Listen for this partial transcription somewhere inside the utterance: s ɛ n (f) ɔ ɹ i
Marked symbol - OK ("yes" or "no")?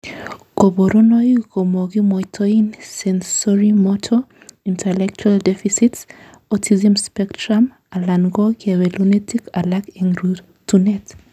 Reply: no